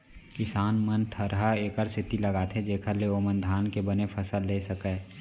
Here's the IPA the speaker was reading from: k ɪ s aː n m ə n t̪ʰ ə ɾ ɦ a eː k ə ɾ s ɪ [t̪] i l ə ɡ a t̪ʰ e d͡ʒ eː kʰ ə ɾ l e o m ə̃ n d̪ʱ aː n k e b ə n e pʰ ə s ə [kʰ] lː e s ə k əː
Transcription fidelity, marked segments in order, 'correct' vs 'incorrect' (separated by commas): correct, incorrect